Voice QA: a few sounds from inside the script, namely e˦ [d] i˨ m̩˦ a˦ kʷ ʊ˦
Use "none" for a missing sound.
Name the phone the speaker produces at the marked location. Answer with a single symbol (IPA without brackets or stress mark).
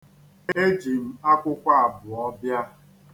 d͡ʒ